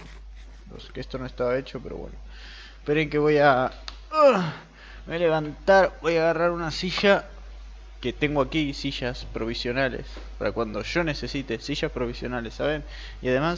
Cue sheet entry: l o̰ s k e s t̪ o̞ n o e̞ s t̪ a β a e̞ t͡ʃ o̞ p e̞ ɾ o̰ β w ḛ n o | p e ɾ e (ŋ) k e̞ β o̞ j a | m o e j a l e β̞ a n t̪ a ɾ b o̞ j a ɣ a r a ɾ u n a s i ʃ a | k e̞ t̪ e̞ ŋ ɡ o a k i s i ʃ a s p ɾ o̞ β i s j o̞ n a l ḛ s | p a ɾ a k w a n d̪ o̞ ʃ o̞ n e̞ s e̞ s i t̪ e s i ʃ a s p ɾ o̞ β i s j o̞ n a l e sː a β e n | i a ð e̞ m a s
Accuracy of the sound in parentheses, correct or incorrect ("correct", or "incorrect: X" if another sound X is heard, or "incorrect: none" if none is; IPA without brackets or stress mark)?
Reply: correct